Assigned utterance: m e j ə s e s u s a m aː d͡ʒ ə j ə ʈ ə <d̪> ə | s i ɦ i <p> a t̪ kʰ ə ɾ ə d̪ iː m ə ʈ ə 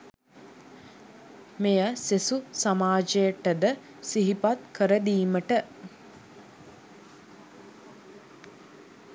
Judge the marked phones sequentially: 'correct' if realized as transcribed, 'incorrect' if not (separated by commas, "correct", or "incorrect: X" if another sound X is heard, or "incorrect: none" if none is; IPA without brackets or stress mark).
correct, correct